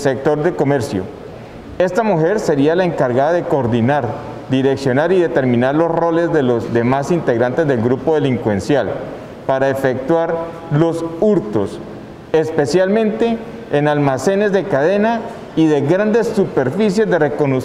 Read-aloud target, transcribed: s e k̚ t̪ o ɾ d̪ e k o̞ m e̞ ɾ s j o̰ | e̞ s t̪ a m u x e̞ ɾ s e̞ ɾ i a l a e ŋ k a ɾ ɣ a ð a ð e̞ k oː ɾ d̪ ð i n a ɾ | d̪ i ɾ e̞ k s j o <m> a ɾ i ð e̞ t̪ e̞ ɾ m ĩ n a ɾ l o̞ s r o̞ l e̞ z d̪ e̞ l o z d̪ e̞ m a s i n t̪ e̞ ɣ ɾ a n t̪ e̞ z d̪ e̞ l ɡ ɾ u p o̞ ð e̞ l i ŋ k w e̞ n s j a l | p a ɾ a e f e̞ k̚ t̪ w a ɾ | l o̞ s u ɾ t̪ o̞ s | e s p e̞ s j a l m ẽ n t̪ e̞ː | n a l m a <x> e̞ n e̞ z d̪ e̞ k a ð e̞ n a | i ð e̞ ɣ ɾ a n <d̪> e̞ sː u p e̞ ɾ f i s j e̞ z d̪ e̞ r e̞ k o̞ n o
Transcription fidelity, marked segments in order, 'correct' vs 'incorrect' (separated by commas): incorrect, incorrect, correct